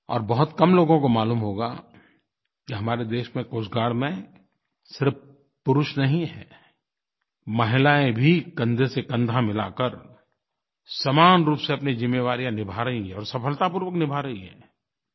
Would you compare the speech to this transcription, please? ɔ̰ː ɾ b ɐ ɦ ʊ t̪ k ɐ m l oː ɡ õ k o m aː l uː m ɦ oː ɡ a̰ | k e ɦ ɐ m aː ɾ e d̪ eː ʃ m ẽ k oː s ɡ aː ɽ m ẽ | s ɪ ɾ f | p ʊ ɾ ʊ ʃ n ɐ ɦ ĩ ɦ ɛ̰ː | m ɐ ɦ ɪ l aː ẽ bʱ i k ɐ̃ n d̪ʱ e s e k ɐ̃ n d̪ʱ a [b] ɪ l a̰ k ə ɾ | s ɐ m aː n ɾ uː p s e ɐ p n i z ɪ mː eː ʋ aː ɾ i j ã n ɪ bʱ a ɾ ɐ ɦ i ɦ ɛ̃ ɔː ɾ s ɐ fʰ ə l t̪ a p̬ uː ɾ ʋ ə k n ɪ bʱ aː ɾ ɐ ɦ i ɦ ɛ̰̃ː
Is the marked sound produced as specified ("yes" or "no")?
no